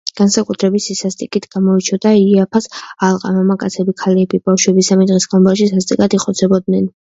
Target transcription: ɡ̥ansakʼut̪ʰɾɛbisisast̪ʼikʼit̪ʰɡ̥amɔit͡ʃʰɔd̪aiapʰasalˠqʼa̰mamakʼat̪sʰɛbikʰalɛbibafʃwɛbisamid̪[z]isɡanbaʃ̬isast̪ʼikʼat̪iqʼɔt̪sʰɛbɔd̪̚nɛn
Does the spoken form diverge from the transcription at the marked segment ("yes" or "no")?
yes